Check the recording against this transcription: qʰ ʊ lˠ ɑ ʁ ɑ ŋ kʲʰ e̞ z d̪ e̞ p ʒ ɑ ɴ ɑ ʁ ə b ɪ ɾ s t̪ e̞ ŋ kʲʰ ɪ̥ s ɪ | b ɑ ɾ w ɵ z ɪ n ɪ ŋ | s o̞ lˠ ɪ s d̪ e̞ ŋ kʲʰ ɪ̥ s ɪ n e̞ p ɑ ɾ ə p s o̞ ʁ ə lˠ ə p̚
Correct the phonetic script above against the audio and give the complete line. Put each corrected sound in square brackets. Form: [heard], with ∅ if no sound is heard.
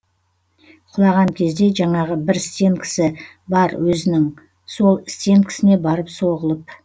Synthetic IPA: qʰ ʊ lˠ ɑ ʁ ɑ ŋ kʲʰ e̞ z d̪ e̞ [∅] ʒ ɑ ɴ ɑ ʁ ə b ɪ ɾ s t̪ e̞ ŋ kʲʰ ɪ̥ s ɪ | b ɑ ɾ w ɵ z ɪ n ɪ ŋ | s o̞ lˠ ɪ s [t̪] e̞ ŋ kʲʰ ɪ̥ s ɪ n e̞ [b] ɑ ɾ ə p s o̞ ʁ ə lˠ ə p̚